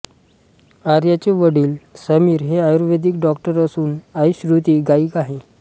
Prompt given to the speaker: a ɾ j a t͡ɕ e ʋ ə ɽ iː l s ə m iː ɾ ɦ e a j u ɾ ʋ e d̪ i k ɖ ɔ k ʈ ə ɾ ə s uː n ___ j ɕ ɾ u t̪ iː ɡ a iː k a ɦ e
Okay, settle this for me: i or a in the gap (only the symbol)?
a